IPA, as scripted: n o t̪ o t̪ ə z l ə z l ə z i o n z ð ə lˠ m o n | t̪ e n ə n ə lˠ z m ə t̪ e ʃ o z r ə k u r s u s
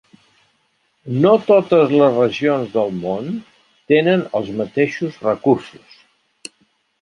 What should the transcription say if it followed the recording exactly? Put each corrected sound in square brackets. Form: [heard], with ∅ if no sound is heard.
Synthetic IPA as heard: n o t̪ o t̪ ə z l ə z [r] ə [ʒ] i o n z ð ə lˠ m o n | t̪ e n ə n ə lˠ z m ə t̪ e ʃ [u] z r ə k u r s u s